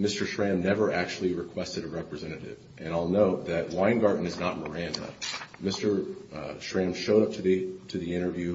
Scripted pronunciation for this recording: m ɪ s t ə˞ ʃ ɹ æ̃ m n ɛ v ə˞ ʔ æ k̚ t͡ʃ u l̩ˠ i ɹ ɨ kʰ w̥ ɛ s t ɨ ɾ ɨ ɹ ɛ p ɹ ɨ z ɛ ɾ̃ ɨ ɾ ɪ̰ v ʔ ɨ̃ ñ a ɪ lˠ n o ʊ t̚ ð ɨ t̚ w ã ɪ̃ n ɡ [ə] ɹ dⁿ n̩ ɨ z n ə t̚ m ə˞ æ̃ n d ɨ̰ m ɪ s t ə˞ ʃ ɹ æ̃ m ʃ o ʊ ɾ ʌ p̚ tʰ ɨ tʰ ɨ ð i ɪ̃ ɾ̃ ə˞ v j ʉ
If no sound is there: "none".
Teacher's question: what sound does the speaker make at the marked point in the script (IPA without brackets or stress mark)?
ɑ